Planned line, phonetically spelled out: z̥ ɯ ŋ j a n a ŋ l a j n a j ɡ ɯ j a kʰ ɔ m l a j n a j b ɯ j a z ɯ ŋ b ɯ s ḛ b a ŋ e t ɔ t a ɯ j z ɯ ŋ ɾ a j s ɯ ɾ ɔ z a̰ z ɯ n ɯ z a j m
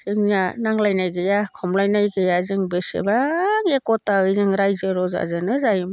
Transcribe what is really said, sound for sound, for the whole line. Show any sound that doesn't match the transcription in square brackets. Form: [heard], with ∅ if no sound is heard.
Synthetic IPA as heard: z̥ ɯ ŋ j a n a ŋ l a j n a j ɡ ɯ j a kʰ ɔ m l a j n a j [ɡ] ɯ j a z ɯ ŋ b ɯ s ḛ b a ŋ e [k] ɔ t a ɯ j z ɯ ŋ ɾ a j [z] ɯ ɾ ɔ z a̰ z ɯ n ɯ z a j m